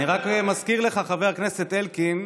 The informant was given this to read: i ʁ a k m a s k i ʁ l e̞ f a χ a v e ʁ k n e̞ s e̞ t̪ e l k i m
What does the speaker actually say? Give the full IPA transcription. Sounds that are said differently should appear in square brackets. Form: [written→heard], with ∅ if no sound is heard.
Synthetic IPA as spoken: i ʁ a k m a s k i ʁ l e̞ [f→χ] a χ a v e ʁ k n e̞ s e̞ t̪ e l k i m